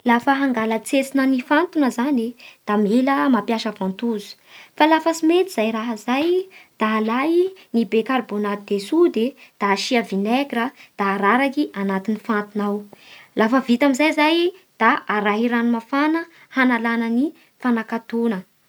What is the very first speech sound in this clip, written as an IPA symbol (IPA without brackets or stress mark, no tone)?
l